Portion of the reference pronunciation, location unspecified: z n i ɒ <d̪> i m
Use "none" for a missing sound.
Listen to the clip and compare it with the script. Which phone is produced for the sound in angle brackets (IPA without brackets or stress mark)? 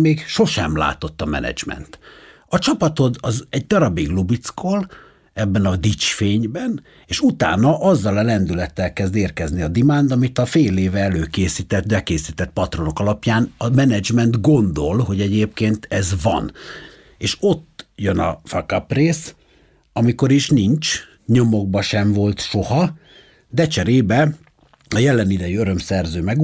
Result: d̪